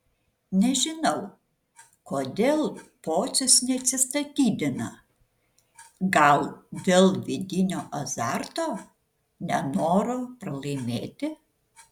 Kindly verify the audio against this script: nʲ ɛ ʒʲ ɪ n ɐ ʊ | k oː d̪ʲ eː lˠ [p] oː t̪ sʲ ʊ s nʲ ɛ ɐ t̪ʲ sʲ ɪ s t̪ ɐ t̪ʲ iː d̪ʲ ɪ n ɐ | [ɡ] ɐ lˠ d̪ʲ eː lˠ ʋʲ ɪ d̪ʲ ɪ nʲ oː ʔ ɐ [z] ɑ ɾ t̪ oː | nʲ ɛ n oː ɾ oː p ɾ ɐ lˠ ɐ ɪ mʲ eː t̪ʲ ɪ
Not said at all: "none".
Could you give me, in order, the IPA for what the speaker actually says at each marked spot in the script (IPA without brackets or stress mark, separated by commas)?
p, ɡ, z